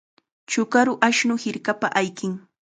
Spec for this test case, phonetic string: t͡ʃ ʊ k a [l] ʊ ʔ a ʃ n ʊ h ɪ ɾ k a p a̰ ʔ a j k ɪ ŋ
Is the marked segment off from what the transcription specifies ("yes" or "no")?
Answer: yes